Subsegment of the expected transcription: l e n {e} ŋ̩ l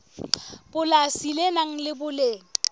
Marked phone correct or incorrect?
incorrect